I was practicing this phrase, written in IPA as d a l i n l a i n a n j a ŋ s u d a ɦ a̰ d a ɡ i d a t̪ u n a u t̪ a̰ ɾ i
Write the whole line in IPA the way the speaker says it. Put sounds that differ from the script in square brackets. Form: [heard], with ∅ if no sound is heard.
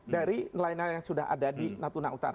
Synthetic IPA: d a [ɾ] i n l a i n a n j a ŋ s u d a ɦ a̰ d a [d] i [n] a t̪ u n a u t̪ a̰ ɾ [a]